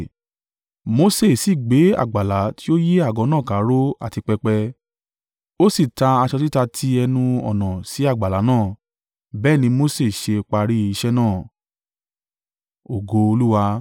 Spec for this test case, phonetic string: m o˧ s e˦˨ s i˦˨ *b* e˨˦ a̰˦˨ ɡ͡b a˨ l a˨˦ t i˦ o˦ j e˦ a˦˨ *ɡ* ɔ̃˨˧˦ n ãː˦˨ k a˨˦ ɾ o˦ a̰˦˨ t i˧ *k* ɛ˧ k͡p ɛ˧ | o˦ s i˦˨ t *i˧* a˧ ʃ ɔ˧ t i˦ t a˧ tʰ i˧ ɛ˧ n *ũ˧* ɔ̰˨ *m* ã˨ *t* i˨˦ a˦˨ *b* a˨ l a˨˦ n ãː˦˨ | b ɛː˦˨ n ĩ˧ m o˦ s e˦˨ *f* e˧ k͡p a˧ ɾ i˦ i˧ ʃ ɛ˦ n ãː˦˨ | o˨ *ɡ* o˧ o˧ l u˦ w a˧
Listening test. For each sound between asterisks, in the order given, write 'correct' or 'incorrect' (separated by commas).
incorrect, correct, incorrect, incorrect, correct, incorrect, incorrect, incorrect, incorrect, correct